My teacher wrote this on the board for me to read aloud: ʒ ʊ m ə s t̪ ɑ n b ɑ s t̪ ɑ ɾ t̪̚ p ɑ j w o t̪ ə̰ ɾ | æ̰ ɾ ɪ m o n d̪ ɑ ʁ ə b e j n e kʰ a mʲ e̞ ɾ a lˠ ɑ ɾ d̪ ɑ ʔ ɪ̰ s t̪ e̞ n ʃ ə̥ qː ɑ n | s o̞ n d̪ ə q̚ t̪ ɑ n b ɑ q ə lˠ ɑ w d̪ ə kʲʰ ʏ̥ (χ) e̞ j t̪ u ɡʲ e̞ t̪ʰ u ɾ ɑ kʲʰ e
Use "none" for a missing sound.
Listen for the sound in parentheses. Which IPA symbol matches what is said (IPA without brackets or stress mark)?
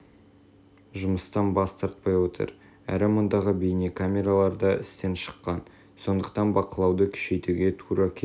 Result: ʃ